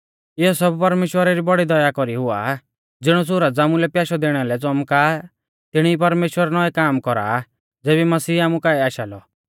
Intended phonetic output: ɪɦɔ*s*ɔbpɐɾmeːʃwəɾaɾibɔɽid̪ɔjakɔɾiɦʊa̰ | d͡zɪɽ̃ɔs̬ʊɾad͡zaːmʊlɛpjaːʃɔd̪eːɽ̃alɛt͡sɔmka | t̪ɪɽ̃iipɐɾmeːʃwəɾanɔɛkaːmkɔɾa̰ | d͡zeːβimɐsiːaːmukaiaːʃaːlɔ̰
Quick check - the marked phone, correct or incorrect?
correct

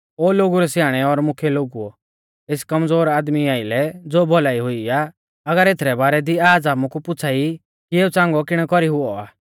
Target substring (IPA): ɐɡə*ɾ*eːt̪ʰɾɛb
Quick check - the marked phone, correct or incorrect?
correct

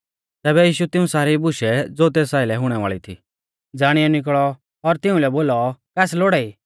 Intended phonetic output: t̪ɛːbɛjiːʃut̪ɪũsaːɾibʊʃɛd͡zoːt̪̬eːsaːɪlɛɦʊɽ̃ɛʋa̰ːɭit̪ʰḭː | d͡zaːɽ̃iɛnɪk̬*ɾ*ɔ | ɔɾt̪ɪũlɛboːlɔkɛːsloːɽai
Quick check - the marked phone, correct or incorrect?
incorrect: ɭ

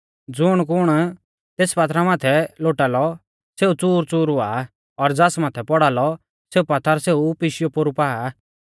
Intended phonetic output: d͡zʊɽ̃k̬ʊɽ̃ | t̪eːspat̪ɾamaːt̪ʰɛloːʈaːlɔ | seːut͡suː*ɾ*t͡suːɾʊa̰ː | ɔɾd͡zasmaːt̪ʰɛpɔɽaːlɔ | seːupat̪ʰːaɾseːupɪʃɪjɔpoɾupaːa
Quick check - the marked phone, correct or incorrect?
correct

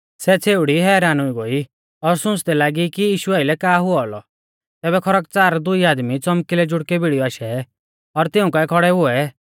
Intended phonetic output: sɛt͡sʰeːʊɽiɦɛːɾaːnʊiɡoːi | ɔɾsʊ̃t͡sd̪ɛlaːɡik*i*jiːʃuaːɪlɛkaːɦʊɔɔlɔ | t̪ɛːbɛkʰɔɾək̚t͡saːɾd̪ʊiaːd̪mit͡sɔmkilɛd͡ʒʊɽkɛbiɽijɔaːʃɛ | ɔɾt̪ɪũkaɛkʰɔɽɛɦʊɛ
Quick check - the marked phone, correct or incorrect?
correct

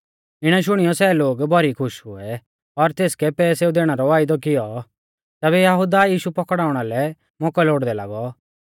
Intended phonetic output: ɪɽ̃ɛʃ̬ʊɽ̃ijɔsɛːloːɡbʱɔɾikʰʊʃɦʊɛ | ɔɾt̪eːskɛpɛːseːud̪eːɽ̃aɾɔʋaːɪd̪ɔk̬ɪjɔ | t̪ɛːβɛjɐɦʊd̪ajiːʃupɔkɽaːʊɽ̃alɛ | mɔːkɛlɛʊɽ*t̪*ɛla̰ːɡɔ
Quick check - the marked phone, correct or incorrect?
incorrect: d̪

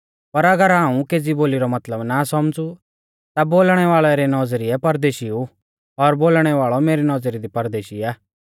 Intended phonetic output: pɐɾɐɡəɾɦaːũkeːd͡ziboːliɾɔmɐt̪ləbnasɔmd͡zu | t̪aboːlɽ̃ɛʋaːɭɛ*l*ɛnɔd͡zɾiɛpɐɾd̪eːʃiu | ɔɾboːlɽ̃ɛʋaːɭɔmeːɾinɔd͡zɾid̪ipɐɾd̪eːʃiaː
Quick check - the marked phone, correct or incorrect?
incorrect: ɾ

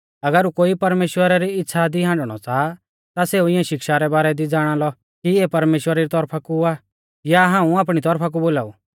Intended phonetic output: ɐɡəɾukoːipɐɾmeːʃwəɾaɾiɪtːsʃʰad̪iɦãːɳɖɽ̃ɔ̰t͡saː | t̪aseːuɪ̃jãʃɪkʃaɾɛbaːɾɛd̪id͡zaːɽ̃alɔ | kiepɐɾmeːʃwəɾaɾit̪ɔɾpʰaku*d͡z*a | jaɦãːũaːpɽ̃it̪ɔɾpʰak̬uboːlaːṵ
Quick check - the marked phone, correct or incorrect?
incorrect: none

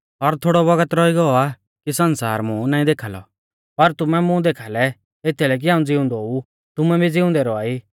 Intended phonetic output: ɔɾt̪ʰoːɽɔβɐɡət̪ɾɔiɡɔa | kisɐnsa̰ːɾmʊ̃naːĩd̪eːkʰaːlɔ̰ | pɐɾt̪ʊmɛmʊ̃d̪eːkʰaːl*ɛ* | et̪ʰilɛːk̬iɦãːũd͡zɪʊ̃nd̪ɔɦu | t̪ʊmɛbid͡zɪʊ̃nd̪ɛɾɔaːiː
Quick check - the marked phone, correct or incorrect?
correct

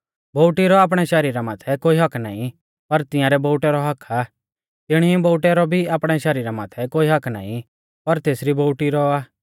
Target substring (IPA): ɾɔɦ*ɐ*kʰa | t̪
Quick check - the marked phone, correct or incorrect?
correct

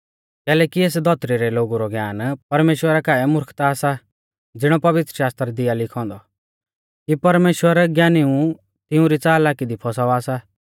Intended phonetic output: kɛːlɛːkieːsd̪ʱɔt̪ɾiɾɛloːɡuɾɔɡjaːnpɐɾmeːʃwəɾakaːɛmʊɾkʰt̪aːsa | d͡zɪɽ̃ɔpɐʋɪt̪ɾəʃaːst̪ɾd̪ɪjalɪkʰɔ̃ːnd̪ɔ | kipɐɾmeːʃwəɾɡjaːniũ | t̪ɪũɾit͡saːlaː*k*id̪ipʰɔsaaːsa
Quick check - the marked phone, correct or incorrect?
correct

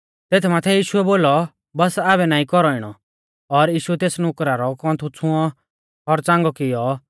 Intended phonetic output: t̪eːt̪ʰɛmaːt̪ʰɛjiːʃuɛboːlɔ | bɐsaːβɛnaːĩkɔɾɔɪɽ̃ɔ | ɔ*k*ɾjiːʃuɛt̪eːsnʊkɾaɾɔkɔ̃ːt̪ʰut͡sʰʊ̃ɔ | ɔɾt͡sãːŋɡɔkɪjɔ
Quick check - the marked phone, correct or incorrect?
incorrect: none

